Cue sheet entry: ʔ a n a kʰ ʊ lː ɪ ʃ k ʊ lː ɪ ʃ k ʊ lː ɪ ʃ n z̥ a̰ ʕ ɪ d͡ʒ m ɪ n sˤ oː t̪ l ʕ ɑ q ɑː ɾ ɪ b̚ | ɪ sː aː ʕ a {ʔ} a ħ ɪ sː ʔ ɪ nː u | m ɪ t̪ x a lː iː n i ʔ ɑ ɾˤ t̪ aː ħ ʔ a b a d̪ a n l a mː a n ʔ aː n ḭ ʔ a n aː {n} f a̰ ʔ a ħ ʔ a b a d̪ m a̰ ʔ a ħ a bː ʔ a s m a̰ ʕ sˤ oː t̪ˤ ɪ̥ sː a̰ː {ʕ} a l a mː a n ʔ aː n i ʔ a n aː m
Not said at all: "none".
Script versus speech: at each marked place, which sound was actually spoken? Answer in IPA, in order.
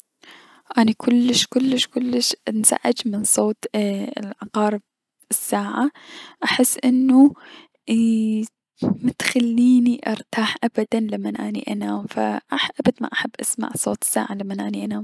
ʔ, m, ʕ

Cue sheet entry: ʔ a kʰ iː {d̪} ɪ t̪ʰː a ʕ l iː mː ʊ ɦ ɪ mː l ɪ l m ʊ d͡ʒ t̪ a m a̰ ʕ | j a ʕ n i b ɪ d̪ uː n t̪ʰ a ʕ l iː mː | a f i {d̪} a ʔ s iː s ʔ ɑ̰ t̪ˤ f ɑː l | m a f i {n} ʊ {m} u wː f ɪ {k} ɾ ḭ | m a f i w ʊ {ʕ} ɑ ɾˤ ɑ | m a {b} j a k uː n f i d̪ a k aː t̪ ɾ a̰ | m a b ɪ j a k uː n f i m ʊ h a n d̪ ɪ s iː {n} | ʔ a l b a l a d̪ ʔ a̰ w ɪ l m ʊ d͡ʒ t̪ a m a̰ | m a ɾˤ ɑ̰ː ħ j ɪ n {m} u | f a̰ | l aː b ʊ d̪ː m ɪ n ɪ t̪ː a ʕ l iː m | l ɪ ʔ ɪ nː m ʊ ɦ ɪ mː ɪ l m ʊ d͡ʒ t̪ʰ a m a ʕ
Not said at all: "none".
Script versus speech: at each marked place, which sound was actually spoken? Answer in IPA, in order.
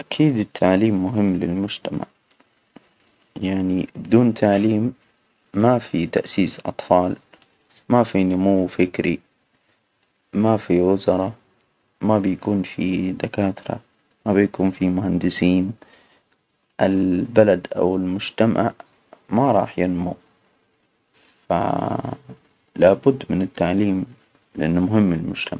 d̪, t̪, n, m, k, z, b, n, m

